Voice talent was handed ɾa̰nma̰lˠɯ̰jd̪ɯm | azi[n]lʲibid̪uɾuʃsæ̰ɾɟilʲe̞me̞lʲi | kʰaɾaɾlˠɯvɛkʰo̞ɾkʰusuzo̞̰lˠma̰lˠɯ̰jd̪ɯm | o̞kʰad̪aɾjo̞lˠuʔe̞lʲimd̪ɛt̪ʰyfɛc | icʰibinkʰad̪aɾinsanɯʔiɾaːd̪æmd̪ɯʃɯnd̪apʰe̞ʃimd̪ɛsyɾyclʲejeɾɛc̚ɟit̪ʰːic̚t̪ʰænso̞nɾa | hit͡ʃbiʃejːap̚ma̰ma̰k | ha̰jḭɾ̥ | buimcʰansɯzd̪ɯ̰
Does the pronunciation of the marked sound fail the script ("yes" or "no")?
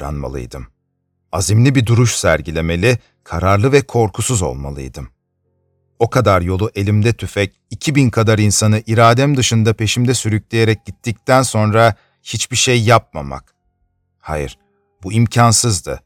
yes